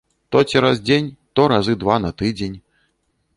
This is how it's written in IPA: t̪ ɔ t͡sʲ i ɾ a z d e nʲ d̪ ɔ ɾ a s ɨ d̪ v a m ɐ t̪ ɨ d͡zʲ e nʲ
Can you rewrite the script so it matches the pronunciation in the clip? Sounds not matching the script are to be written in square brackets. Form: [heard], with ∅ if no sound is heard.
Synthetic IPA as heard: t̪ ɔ t͡sʲ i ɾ a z [d͡zʲ] e nʲ [t̪] ɔ ɾ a [z] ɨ d̪ v a [n] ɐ t̪ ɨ d͡zʲ e nʲ

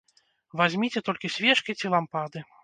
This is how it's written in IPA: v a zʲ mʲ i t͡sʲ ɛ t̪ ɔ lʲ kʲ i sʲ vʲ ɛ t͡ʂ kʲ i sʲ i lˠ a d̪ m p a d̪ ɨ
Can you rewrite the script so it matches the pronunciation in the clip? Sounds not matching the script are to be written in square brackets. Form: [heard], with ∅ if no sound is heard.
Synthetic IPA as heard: v a zʲ mʲ i t͡sʲ ɛ t̪ ɔ lʲ kʲ i sʲ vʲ ɛ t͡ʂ kʲ i [t͡sʲ] i lˠ a [∅] m p a d̪ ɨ

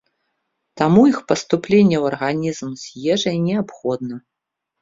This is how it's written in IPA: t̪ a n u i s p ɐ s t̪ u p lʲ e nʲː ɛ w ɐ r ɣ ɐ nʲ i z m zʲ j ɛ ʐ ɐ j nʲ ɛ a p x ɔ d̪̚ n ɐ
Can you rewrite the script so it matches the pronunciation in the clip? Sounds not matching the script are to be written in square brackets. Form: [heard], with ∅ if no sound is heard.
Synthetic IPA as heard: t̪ a [m] u i [x] p ɐ s t̪ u p lʲ e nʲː ɛ w ɐ r ɣ [a] nʲ i z m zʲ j ɛ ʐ ɐ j nʲ ɛ a p x ɔ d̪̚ n ɐ

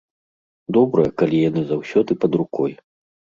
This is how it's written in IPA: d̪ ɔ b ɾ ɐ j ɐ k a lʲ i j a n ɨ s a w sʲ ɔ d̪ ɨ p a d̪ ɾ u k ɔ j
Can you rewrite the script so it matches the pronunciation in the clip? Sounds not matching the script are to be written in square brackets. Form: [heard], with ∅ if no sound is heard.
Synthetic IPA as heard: d̪ ɔ b ɾ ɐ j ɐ k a lʲ i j a n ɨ [z] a w sʲ ɔ d̪ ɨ p [ɐ] d̪ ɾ u k ɔ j

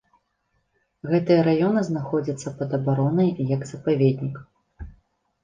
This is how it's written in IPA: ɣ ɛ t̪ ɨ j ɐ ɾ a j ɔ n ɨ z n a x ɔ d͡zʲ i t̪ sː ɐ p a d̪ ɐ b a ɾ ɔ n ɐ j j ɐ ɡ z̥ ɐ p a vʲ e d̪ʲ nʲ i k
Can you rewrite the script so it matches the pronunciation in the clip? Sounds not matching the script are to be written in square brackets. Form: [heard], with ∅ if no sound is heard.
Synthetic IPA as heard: ɣ ɛ t̪ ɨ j ɐ ɾ a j ɔ n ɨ z n a x ɔ d͡zʲ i t̪ sː ɐ p [ɐ] d̪ ɐ b a ɾ ɔ n ɐ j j ɐ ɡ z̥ ɐ p a vʲ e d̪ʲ nʲ i k

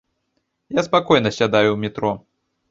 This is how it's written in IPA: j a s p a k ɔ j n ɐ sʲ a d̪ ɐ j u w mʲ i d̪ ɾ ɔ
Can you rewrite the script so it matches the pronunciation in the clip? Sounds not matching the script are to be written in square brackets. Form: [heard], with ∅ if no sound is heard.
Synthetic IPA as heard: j a s p a k ɔ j n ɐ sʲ a d̪ [a] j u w mʲ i [t̪] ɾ ɔ

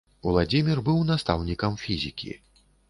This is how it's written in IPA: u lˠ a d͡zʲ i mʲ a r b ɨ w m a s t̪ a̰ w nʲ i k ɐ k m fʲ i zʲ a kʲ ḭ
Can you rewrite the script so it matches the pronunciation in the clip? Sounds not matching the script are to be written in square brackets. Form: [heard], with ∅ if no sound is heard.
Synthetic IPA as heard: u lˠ a d͡zʲ i mʲ [i] r b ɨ w [n] a s t̪ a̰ w nʲ i k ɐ [∅] m fʲ i zʲ [i] kʲ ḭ

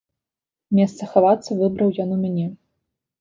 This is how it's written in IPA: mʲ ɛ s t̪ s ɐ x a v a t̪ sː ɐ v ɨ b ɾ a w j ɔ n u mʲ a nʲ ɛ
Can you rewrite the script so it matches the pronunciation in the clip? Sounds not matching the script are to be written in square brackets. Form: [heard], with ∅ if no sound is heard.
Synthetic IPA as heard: mʲ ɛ s t̪ s ɐ x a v a t̪ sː ɐ v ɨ b ɾ [ɐ] w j ɔ n u mʲ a nʲ ɛ

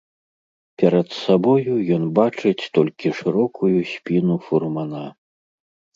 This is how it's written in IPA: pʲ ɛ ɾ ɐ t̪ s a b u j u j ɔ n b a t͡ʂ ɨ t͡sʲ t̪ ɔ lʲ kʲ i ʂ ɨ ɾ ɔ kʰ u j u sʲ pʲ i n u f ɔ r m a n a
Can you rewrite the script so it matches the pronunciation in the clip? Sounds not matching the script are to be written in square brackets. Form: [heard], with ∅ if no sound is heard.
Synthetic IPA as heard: pʲ ɛ ɾ ɐ t̪ s a b [ɔ] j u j ɔ n b a t͡ʂ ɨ t͡sʲ t̪ ɔ lʲ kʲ i ʂ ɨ ɾ ɔ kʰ u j u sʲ pʲ i n u f [u] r m a n a

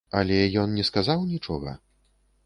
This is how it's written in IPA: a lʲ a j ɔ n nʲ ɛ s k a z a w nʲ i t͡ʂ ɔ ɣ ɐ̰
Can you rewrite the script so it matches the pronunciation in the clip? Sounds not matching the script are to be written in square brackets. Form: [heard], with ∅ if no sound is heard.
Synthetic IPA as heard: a lʲ [ɛ] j ɔ n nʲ ɛ s k a z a w nʲ i t͡ʂ ɔ ɣ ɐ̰

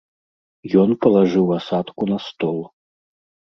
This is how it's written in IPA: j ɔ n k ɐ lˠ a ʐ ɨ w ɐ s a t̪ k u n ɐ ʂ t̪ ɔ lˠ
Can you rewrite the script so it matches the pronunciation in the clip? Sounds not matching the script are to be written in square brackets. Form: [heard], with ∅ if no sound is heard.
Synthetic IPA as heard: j ɔ n [p] ɐ lˠ a ʐ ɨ w [a] s a t̪ k u n ɐ [s] t̪ ɔ lˠ

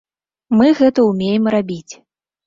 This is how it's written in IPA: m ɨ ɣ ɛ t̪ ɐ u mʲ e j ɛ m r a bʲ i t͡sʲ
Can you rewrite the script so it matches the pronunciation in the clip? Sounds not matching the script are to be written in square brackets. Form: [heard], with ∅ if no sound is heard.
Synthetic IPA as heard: m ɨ ɣ ɛ t̪ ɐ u mʲ e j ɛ m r a bʲ i t͡sʲ

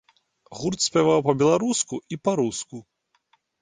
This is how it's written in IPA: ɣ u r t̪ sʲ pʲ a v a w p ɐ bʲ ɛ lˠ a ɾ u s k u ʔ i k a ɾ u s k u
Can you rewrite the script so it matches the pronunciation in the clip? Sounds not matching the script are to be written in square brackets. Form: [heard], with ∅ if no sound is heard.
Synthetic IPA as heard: ɣ u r t̪ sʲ pʲ a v a w p ɐ bʲ ɛ lˠ a ɾ u s k u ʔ i [p] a ɾ u s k u

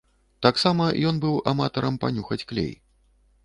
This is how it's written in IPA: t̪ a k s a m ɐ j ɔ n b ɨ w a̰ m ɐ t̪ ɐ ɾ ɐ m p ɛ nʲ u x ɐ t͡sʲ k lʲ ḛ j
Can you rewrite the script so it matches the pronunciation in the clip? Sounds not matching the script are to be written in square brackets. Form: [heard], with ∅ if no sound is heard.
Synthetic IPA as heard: t̪ a k s a m ɐ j ɔ n b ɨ w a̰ m [a] t̪ ɐ ɾ ɐ m p [a] nʲ u x ɐ t͡sʲ k lʲ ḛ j

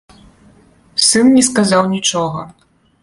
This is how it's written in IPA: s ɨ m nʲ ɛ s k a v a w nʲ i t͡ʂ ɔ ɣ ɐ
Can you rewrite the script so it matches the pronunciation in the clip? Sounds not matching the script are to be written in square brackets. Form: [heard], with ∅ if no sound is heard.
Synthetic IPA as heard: s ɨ [n] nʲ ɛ s k a [z] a w nʲ i t͡ʂ ɔ ɣ ɐ

